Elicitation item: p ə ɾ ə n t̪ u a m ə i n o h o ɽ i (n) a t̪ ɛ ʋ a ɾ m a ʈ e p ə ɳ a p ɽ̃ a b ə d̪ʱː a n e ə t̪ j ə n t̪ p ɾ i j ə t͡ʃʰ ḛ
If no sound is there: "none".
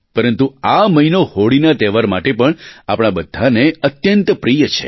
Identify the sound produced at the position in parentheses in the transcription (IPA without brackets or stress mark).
n